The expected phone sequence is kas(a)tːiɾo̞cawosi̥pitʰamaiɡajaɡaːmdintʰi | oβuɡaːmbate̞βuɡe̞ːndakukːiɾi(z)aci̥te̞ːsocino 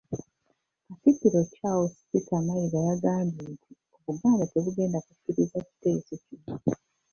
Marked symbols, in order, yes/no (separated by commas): no, yes